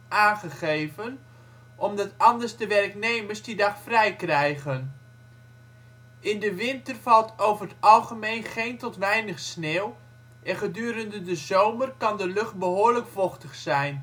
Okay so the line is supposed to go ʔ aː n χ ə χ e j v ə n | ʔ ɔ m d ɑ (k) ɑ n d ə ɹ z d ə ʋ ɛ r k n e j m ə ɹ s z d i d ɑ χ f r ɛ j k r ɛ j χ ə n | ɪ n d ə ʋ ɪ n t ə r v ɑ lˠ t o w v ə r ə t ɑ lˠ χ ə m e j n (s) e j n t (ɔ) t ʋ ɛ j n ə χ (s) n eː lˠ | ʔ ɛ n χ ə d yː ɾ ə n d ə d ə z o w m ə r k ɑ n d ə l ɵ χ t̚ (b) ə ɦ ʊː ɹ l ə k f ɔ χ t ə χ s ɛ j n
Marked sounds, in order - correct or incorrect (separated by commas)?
incorrect, incorrect, correct, correct, correct